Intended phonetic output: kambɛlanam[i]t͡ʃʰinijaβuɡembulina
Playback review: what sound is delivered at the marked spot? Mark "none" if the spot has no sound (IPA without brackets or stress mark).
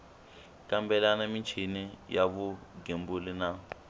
i